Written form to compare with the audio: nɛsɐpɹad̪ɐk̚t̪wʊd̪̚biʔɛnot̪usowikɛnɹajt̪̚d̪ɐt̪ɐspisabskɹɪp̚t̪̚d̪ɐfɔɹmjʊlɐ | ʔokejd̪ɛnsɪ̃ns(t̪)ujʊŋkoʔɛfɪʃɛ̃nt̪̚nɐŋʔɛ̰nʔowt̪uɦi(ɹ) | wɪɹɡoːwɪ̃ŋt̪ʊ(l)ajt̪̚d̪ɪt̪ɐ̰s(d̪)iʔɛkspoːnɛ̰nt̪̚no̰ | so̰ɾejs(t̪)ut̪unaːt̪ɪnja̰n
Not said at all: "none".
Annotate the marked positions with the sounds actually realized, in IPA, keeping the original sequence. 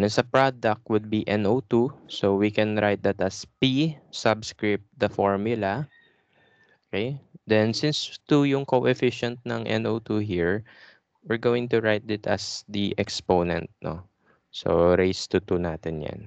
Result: t̪, ɹ, ɹ, d̪, t̪

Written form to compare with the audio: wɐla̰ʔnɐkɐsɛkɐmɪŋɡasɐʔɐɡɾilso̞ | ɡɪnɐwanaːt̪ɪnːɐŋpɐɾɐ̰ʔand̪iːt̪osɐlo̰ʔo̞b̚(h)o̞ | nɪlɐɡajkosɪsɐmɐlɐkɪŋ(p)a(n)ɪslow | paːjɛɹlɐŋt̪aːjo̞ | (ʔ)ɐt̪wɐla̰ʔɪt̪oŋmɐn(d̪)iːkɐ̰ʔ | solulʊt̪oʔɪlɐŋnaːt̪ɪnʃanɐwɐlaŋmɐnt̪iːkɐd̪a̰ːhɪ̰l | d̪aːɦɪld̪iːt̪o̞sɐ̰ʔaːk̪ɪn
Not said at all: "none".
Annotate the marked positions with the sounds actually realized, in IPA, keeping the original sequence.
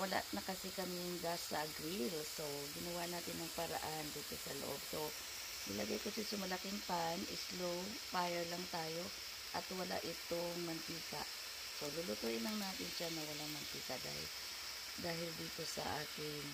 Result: s, p, n, ʔ, t̪

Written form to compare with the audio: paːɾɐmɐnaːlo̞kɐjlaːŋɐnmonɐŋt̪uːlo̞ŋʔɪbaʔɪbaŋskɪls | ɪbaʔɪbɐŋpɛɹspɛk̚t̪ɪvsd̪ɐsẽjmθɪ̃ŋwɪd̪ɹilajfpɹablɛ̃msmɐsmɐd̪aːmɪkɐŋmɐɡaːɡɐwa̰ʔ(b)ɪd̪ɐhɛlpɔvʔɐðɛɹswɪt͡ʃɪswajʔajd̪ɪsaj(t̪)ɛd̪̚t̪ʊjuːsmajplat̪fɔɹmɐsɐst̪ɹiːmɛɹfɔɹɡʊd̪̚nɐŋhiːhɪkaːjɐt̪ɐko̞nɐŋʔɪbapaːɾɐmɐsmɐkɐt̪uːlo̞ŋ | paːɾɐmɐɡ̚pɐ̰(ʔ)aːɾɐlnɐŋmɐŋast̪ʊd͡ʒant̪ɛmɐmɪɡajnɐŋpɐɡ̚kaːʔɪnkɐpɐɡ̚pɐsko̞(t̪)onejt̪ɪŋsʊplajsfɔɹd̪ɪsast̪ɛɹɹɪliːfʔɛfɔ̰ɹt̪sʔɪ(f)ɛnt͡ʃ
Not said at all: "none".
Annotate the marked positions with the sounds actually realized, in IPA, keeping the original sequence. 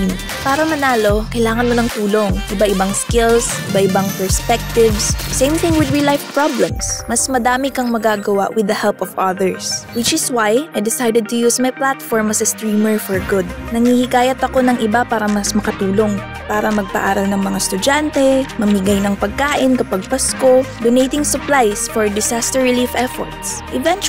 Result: w, d̪, ʔ, d̪, v

